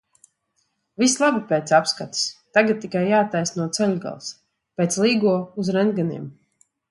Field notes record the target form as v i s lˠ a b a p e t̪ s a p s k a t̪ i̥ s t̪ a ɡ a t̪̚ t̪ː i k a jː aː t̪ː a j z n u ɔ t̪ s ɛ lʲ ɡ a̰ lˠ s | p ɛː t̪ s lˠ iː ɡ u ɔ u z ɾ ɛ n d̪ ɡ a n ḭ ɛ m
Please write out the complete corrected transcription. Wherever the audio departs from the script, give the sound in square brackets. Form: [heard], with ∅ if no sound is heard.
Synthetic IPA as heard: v i s lˠ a b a p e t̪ s a p s k a t̪ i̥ s t̪ a ɡ a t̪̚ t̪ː i k a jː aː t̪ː a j [s] n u ɔ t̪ s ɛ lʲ ɡ a̰ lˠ s | p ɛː t̪ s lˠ iː ɡ u ɔ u z ɾ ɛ n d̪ ɡ a n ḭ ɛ m